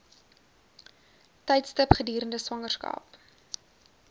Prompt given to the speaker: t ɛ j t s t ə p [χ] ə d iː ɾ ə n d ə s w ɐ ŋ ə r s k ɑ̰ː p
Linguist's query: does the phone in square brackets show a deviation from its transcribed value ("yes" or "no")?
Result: no